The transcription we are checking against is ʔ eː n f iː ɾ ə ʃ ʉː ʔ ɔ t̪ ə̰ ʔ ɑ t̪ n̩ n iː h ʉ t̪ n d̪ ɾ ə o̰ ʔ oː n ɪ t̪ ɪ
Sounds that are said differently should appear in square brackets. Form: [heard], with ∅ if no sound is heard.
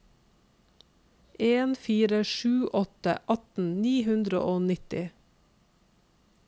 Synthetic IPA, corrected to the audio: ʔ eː n f iː ɾ ə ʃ ʉː ʔ ɔ t̪ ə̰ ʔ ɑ t̪ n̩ n iː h ʉ [∅] n d̪ ɾ ə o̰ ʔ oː n ɪ t̪ ɪ